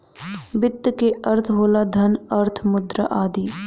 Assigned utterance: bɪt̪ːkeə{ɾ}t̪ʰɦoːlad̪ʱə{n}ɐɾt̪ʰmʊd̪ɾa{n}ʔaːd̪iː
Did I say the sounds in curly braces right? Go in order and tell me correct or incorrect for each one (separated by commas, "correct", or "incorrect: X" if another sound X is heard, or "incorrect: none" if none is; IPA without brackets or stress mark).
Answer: correct, correct, incorrect: none